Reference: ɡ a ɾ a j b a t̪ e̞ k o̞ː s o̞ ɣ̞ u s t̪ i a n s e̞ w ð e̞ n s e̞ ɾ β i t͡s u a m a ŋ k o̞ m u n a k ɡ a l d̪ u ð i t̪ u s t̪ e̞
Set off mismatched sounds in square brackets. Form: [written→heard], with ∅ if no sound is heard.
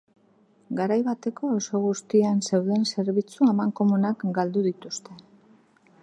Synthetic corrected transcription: ɡ a ɾ a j [b→β] a t̪ e̞ k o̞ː s o̞ ɣ̞ u s t̪ i a n s e̞ w ð e̞ n s e̞ ɾ β i t͡s u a m a ŋ k o̞ m u n a k ɡ a l d̪ u ð i t̪ u s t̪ e̞